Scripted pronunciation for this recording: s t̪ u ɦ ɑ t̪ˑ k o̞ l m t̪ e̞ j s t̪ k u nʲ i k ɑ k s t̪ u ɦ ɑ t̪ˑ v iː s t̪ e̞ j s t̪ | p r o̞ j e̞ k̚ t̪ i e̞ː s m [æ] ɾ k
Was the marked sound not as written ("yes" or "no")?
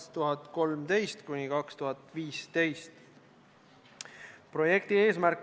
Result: no